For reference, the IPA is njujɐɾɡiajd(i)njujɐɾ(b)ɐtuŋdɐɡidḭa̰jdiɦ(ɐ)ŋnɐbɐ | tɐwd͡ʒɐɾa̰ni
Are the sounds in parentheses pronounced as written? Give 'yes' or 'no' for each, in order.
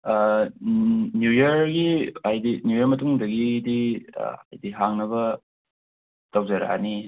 yes, no, no

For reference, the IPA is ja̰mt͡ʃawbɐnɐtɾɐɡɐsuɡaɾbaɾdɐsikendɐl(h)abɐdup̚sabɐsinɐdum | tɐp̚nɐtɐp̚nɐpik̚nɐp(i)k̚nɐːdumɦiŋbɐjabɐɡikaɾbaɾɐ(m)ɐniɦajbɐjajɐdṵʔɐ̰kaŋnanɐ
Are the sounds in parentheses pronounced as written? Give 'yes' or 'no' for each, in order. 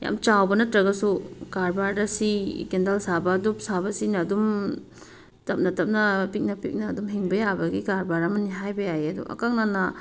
no, yes, yes

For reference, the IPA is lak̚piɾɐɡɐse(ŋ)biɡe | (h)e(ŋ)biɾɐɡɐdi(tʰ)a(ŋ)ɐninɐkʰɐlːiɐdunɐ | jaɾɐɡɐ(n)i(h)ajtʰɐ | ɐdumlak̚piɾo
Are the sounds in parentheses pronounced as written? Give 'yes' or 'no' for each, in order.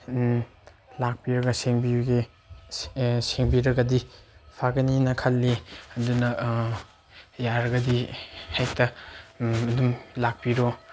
yes, no, yes, no, no, no, yes

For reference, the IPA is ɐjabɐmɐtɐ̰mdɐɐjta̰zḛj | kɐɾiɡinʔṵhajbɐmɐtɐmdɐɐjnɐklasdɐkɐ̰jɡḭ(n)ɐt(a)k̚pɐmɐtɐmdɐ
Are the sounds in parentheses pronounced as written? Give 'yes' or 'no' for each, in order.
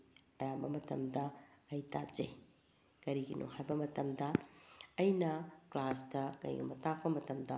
no, yes

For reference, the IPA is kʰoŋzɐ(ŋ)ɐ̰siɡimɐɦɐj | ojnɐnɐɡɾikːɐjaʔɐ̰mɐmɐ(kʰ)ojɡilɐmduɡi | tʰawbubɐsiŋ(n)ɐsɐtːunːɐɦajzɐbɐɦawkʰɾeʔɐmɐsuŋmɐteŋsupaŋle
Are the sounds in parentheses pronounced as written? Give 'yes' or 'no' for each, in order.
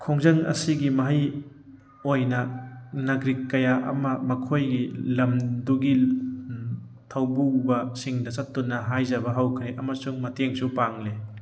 yes, yes, no

